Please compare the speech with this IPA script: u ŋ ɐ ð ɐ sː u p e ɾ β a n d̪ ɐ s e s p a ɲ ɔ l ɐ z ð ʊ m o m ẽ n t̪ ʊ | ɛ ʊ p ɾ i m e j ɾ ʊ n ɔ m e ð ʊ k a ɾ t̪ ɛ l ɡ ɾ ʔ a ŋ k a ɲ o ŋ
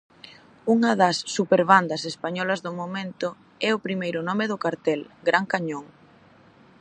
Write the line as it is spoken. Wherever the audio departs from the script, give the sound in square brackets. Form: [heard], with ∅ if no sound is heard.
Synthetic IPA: u ŋ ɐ ð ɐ sː u p e ɾ β a n d̪ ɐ s e s p a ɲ ɔ l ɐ z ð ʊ m o m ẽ n t̪ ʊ | ɛ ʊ p ɾ i m e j ɾ ʊ n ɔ m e ð ʊ k a ɾ t̪ ɛ l ɡ ɾ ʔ a ŋ k a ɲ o ŋ